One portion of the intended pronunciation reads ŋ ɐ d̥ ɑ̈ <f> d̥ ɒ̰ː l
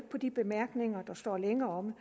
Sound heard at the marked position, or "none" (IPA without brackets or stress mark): s